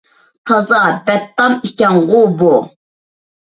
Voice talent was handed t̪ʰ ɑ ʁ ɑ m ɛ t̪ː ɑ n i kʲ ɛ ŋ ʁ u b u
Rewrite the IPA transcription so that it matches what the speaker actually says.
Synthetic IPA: t̪ʰ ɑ z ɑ b ɛ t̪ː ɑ m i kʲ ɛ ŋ ʁ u b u